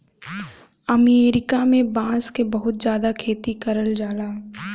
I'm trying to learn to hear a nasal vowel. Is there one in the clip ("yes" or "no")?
yes